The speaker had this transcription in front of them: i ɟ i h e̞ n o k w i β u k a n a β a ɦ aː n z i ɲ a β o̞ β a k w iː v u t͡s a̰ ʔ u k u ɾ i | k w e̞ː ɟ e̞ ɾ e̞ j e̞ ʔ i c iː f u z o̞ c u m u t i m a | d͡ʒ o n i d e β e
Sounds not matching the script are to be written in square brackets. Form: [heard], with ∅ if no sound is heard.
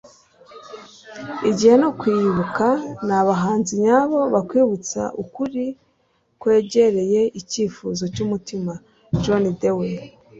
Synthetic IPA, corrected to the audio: i ɟ i h e̞ n o k w i β u k a n a β a ɦ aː n z i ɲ a β o̞ β a k w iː [β] u t͡s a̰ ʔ u k u ɾ i | k w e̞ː ɟ e̞ ɾ e̞ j e̞ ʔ i c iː f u z o̞ c u m u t i m a | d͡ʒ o n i d e [w] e